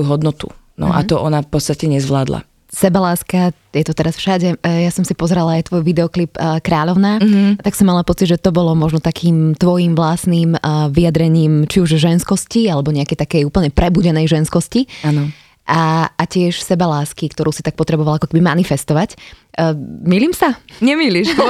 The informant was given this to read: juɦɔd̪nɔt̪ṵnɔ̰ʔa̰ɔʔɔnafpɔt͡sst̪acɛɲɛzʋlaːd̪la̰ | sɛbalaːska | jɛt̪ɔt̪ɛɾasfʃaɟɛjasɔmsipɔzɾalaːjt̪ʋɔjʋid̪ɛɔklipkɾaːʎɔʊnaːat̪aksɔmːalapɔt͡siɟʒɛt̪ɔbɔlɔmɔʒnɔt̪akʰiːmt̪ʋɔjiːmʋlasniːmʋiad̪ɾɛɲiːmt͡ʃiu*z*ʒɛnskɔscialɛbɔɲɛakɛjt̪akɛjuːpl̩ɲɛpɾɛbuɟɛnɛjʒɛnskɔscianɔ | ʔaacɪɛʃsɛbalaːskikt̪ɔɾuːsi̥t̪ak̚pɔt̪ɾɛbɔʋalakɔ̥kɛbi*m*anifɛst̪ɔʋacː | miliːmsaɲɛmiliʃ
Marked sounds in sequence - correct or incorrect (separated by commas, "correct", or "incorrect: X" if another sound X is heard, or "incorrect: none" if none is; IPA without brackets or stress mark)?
incorrect: ʒ, correct